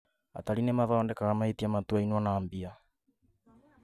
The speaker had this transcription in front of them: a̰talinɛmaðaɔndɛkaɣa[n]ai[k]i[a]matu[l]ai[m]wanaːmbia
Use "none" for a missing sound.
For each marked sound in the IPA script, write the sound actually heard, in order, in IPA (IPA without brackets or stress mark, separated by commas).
m, t, a, none, n